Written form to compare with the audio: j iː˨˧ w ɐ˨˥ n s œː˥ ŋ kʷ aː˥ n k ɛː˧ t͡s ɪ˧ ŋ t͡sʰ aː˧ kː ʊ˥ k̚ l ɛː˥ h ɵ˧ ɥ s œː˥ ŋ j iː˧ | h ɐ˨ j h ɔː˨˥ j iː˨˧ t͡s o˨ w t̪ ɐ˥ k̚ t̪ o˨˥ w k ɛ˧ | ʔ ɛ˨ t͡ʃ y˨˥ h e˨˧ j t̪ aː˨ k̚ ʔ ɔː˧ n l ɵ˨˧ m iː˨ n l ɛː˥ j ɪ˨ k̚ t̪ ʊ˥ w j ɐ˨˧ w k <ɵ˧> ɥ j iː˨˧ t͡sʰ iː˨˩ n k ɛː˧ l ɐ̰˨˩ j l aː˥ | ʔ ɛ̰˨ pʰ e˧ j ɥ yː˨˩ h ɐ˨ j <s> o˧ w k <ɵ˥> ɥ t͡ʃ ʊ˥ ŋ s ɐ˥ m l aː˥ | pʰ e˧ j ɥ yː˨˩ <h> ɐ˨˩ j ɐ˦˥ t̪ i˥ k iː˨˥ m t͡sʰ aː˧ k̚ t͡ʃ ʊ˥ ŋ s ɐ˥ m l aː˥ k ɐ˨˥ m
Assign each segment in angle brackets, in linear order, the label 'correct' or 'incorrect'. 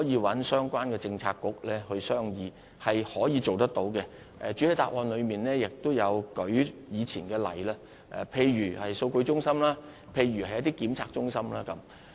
incorrect, correct, incorrect, correct

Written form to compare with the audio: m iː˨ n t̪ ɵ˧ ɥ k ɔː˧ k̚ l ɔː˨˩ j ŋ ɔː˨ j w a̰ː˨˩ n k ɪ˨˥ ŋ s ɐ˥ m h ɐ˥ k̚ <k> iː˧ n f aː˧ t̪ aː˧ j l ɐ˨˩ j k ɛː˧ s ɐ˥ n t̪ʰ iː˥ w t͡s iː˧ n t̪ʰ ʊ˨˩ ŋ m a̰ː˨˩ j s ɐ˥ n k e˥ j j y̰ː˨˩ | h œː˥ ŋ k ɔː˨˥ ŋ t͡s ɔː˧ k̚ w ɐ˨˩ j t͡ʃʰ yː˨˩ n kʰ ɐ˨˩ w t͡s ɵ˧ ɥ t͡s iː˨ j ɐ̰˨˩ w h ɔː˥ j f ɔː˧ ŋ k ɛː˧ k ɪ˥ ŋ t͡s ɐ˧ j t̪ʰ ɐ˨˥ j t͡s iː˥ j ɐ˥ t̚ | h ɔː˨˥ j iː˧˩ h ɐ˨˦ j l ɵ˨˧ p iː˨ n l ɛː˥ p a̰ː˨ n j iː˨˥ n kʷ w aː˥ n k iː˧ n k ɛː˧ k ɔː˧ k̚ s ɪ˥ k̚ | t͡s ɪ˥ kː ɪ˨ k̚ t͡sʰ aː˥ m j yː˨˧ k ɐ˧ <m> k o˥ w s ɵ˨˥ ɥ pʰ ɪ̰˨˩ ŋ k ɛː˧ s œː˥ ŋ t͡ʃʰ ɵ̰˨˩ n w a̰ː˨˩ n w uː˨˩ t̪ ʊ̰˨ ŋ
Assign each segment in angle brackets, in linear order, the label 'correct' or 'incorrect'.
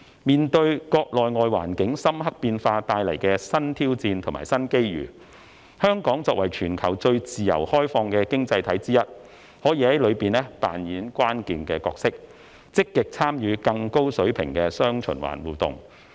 incorrect, incorrect

